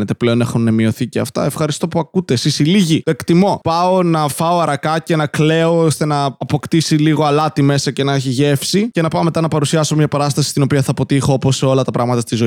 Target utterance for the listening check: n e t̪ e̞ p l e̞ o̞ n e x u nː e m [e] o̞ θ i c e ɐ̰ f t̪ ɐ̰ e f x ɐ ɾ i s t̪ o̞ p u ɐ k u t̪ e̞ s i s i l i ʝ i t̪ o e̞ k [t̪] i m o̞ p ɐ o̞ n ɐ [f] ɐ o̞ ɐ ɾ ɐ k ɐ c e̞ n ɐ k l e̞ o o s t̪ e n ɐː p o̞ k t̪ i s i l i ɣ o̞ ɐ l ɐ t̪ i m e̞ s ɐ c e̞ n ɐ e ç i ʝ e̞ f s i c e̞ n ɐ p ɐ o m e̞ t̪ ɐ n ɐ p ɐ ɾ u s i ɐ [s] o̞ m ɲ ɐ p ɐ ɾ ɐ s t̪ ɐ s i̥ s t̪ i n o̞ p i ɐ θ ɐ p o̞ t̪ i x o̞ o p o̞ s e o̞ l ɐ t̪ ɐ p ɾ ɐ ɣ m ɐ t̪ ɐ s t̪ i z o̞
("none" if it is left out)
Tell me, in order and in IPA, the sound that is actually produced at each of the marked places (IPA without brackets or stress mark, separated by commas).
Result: i, t̪, f, s